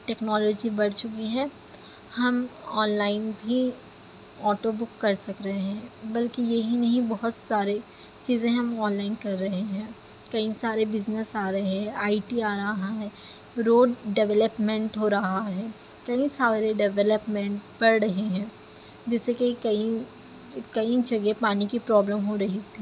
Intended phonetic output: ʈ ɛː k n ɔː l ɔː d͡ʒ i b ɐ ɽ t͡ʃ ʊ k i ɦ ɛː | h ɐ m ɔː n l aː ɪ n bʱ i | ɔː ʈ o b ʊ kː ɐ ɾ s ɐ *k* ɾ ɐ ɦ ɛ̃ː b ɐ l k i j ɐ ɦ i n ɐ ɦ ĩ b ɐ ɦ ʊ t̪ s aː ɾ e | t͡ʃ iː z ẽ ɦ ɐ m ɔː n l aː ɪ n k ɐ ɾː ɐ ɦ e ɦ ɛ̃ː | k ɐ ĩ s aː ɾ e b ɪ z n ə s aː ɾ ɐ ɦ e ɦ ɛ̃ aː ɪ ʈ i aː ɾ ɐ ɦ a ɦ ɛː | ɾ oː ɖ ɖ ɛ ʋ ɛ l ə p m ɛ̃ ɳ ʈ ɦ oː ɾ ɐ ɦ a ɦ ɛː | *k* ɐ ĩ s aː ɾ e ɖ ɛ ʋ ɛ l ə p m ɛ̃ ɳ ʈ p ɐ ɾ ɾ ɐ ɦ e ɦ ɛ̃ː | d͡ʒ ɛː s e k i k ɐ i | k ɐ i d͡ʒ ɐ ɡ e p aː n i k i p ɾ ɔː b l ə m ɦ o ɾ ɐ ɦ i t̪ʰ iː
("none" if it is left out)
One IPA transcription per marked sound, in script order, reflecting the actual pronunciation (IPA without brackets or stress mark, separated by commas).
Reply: k, k